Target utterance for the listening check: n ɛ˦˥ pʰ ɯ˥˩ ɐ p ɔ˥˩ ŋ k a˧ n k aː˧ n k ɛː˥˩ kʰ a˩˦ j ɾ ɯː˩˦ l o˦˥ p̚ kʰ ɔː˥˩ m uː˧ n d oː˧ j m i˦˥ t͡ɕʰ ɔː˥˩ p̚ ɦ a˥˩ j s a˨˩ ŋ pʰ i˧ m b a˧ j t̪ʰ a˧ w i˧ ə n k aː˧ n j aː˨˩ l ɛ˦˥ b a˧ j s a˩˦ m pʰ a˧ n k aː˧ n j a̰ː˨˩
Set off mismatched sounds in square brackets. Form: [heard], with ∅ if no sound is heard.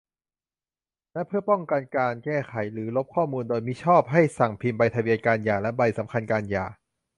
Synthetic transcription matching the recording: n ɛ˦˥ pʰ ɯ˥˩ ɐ p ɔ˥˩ ŋ k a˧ n k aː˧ n k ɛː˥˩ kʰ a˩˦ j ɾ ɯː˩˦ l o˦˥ p̚ kʰ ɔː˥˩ m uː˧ n d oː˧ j m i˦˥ t͡ɕʰ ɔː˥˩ p̚ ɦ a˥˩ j s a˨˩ ŋ pʰ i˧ m b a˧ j t̪ʰ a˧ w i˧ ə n k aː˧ n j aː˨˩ l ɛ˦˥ b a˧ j s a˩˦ m [kʰ] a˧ n k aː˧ n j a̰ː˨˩